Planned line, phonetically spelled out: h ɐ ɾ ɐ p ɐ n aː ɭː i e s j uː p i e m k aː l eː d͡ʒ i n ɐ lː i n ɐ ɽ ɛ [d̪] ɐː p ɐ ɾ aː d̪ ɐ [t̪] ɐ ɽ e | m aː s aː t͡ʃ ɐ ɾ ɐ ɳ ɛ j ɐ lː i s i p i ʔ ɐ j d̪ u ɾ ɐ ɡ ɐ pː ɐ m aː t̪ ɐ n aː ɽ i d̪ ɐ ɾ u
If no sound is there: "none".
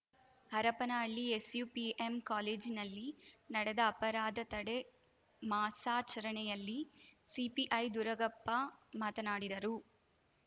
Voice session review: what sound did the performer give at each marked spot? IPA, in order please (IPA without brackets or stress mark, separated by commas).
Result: d̪, t̪